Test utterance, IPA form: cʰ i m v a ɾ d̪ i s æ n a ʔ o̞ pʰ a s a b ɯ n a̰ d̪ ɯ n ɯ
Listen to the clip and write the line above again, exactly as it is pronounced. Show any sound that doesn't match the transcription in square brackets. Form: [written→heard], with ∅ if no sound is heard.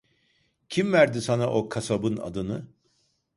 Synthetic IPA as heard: cʰ i m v [a→æ] ɾ d̪ i s [æ→a] n a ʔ o̞ [pʰ→kʰ] a s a b ɯ n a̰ d̪ ɯ n ɯ